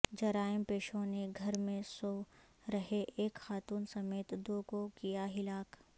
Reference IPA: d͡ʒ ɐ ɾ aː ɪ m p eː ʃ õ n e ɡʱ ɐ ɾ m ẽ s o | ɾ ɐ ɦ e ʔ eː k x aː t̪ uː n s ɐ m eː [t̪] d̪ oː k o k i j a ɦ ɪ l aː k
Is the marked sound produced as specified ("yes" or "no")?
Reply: yes